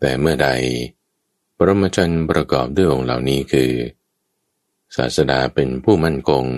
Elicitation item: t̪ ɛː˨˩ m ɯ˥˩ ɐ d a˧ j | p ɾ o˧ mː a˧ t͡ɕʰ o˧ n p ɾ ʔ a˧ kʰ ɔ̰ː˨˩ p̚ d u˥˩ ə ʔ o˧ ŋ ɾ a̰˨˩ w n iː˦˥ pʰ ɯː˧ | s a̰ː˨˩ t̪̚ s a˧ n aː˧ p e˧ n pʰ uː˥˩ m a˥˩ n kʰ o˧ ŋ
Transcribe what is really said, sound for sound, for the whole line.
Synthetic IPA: t̪ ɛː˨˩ m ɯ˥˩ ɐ d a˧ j | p ɾ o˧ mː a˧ t͡ɕʰ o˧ n p ɾ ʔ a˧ k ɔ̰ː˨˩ p̚ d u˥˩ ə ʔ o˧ ŋ l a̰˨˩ w n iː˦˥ kʰ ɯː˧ | s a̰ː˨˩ t̪̚ s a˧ d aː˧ p e˧ n pʰ uː˥˩ m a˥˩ n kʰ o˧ ŋ